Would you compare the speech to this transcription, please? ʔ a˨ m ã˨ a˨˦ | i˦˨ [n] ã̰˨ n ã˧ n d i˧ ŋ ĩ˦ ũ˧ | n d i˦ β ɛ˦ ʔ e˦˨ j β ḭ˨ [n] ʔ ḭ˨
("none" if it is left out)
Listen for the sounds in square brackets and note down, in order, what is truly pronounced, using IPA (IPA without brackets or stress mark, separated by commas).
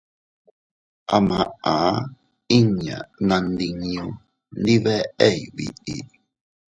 ɲ, none